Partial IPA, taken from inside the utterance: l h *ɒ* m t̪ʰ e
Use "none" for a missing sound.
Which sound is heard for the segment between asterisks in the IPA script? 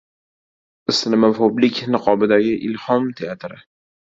ɒ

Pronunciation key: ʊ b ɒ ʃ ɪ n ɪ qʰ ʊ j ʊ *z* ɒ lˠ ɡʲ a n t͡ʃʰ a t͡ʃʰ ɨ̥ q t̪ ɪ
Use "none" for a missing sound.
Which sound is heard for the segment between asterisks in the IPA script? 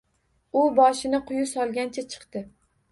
s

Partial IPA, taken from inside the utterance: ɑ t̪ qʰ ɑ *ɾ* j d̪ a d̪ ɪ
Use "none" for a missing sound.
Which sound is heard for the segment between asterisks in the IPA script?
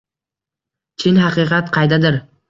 none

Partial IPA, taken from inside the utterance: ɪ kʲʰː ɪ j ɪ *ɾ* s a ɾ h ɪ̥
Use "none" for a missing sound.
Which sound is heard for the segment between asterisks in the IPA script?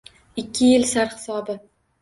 l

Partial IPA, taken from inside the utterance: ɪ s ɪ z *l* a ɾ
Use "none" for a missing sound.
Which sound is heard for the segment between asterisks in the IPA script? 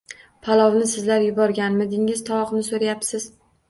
l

